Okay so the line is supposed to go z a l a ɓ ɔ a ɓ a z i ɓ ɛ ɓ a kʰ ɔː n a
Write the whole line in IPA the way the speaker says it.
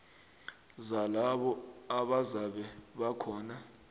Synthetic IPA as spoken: z a l a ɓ ɔ a ɓ a z a ɓ ɛ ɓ a kʰ ɔː n a

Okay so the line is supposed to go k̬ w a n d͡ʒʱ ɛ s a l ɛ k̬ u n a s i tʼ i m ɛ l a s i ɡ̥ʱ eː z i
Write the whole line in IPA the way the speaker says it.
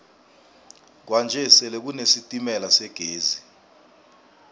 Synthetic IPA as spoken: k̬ w a n d͡ʒʱ ɛ s ɛ l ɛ k̬ u n e s i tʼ i m ɛ l a s ɛ ɡ̥ʱ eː z i

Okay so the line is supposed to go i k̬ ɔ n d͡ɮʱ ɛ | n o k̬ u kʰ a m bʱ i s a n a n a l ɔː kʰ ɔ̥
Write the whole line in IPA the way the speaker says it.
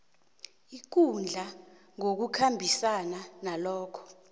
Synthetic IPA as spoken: i k̬ u n d͡ɮʱ a | ŋ o k̬ u kʰ a m bʱ i s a n a n a l ɔː kʰ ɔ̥

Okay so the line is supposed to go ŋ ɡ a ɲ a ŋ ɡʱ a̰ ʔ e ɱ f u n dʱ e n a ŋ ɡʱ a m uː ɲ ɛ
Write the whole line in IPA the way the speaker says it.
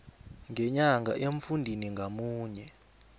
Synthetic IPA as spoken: ŋ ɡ ɛ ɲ a ŋ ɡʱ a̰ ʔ e ɱ f u n dʱ i n i ŋ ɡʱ a m uː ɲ ɛ

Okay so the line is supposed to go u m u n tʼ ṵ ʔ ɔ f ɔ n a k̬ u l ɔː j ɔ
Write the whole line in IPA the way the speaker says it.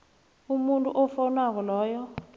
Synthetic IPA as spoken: u m u n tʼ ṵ ʔ ɔ f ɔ n a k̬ ɔ l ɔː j ɔ

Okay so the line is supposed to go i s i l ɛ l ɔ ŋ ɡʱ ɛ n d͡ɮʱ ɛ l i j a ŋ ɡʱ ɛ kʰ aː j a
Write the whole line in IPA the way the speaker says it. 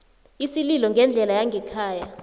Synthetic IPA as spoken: i s i l i l ɔ ŋ ɡʱ ɛ n d͡ɮʱ ɛ l a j a ŋ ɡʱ ɛ kʰ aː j a

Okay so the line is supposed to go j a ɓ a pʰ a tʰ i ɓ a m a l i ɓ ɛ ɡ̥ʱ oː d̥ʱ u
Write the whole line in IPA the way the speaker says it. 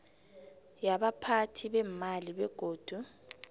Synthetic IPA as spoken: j a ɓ a pʰ a tʰ i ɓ ɛ m a l i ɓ ɛ ɡ̥ʱ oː d̥ʱ u

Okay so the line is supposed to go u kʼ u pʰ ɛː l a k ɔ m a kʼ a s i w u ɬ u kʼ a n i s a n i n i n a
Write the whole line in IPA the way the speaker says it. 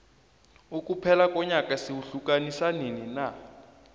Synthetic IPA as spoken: u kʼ u pʰ ɛ l a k ɔ ɲ a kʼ a s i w u ɬ u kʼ a n i s a n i n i n a

